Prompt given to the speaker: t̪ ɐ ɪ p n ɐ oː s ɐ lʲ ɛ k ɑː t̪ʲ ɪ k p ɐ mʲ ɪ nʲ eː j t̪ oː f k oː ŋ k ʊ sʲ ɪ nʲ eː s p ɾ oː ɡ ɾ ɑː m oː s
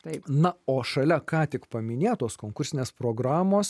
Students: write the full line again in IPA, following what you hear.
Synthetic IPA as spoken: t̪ ɐ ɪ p n ɐ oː ʃ ɐ lʲ ɛ k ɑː t̪ʲ ɪ k p ɐ mʲ ɪ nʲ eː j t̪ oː s k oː ŋ k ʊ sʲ ɪ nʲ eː s p ɾ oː ɡ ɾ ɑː m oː s